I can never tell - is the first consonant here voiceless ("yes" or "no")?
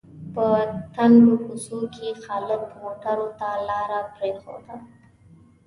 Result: yes